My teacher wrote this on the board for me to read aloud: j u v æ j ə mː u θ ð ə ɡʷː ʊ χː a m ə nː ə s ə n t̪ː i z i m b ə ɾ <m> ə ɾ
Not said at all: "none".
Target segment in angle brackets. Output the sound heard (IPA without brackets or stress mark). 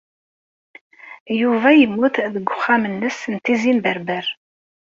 b